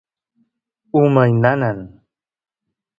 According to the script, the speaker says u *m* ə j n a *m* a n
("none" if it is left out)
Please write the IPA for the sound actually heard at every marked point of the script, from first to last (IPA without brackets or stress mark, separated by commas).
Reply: m, n